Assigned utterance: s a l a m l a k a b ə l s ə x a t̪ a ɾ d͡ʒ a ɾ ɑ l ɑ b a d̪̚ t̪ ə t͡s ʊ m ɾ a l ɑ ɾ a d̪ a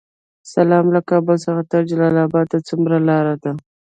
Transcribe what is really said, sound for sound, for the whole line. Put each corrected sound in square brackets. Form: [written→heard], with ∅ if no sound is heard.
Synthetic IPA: s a l [a→ɑ] m l a k [a→ɑ] b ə l s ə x a t̪ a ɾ d͡ʒ a [ɾ→l] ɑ l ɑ b [a→ɑ] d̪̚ t̪ [ə→a] t͡s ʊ m ɾ a l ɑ ɾ a d̪ a

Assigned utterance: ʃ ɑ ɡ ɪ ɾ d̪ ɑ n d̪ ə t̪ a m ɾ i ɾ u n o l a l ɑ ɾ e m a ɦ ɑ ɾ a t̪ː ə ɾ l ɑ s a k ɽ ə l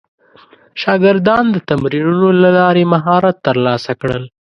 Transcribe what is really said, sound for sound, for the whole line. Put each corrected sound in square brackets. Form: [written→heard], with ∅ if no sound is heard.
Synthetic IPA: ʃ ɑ ɡ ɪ ɾ d̪ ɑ n d̪ ə t̪ a m ɾ i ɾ u n o l a l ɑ ɾ e m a ɦ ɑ ɾ a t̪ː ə ɾ l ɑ s a k ɽ ə l

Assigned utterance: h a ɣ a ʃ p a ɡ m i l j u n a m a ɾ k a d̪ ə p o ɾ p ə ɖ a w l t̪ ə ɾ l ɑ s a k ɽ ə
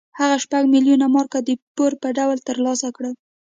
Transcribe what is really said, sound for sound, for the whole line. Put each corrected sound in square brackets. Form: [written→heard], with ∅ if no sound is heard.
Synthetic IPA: h a ɣ a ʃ p a ɡ m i l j u n a m [a→ɑ] ɾ k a d̪ ə p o ɾ p ə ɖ a w l t̪ ə ɾ l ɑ s a k ɽ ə

